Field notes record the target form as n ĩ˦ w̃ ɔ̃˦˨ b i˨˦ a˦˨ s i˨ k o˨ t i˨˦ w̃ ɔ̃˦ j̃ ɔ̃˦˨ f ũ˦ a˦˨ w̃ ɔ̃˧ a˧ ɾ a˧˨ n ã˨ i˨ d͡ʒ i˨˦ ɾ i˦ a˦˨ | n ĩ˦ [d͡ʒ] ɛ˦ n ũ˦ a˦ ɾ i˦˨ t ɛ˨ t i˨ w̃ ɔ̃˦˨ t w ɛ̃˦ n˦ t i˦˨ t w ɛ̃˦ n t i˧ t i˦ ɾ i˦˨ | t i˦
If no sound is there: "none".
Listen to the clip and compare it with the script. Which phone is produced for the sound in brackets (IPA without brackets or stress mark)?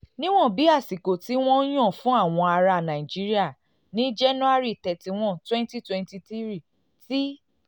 d͡ʒ